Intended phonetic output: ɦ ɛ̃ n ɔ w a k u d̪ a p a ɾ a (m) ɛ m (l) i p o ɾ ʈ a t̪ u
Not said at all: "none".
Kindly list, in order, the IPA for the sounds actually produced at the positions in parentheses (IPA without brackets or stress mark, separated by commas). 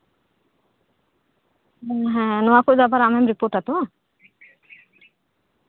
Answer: m, ɾ